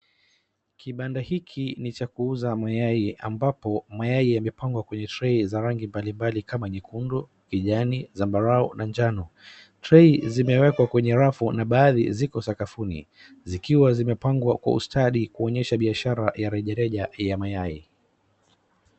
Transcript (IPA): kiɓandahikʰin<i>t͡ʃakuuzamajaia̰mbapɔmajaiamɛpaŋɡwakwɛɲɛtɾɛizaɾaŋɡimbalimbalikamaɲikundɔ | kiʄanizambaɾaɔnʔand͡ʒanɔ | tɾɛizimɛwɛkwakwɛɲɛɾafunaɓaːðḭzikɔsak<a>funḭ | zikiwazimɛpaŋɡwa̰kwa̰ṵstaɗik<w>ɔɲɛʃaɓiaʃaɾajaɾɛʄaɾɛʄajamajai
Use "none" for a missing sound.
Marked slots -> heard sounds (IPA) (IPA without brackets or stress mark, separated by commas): i, a, u